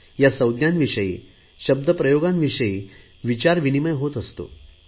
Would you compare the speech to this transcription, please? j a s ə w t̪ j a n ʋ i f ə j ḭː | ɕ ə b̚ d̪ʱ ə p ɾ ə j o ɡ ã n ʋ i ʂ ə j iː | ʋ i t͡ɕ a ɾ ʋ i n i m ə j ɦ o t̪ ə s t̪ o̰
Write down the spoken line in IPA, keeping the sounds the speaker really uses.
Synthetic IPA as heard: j a s ə w d̪ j a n ʋ i ʂ ə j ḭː | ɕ ə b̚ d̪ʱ ə p ɾ ə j o ɡ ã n ʋ i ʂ ə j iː | ʋ i t͡ɕ a ɾ ʋ i n i m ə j ɦ o t̪ ə s t̪ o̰